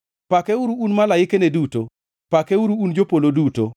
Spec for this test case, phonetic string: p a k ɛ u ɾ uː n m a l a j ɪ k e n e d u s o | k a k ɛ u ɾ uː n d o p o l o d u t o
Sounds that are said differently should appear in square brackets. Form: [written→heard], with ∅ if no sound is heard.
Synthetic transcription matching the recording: p a k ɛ u ɾ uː n m a l a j ɪ k e n e d u [s→t] o | [k→p] a k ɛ u ɾ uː n [d→d͡ʒ] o p o l o d u t o